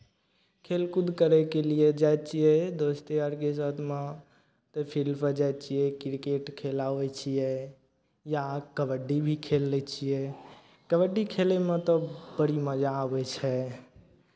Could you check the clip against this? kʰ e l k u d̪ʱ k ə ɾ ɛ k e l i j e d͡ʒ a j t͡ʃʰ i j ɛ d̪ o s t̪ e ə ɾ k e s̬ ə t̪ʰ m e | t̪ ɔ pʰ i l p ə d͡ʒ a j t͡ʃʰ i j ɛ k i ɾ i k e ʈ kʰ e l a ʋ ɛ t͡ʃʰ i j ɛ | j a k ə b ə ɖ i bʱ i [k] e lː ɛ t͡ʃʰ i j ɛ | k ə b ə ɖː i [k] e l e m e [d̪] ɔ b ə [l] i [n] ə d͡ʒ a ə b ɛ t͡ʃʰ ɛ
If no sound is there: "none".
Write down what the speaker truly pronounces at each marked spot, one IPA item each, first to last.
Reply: kʰ, kʰ, t̪, ɽ, m

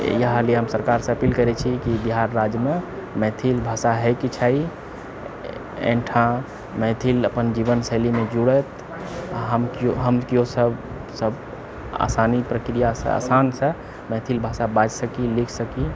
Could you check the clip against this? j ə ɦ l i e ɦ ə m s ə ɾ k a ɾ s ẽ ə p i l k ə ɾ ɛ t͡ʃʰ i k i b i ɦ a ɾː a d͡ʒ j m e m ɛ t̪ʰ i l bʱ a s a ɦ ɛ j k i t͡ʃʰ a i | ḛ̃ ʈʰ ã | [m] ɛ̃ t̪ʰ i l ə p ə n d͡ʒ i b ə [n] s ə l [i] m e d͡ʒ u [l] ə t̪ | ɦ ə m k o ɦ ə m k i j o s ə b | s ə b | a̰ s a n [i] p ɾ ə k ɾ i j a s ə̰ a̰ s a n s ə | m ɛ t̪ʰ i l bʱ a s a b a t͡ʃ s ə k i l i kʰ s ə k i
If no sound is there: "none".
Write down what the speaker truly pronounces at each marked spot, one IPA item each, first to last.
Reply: m, n, i, ɽ, i

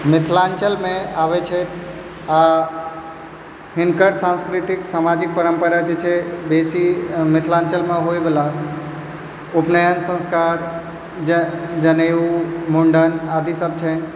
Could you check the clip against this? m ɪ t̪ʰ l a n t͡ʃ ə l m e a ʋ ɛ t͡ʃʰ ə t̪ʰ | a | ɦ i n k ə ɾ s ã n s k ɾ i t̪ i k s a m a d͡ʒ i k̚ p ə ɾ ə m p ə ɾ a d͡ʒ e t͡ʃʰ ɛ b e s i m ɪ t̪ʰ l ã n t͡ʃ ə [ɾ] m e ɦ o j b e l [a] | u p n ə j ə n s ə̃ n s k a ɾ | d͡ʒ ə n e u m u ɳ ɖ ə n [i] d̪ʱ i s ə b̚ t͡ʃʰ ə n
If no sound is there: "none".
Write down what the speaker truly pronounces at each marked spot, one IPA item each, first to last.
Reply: l, a, a

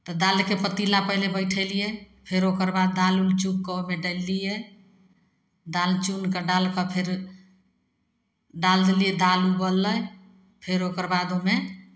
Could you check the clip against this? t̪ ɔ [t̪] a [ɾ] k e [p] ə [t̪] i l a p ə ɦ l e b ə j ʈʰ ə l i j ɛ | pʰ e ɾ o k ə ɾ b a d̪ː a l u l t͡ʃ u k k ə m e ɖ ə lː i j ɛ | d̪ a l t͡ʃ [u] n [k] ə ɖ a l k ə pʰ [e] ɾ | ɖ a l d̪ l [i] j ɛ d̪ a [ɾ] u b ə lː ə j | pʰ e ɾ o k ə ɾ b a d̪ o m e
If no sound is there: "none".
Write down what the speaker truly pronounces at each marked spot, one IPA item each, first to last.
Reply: d̪, l, p, t̪, u, k, e, i, l

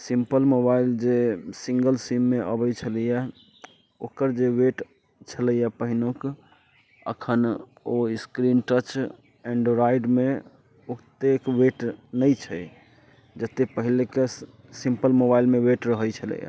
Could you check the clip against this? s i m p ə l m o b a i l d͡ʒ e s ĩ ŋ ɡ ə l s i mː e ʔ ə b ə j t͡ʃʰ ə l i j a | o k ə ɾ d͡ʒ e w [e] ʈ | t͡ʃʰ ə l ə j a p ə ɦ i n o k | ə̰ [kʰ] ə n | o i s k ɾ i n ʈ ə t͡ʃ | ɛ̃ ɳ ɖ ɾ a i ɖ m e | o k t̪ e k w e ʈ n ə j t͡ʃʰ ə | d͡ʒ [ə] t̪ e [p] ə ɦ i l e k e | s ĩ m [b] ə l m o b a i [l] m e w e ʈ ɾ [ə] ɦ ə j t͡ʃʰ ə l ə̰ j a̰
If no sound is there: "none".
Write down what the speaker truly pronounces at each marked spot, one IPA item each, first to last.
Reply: e, kʰ, ə, p, p, l, ə

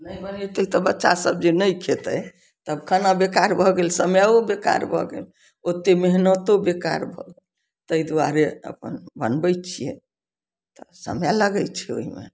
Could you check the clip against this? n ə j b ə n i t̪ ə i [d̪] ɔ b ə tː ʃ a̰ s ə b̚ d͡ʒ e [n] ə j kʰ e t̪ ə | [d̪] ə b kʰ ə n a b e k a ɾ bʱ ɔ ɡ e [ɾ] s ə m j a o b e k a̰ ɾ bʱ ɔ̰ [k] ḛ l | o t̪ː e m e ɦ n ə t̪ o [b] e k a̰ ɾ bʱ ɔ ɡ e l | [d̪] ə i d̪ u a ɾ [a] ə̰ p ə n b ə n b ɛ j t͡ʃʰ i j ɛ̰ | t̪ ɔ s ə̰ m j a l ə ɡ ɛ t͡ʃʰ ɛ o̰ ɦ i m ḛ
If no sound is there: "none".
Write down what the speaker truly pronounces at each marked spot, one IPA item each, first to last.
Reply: t̪, n, t̪, l, ɡ, b, t̪, e

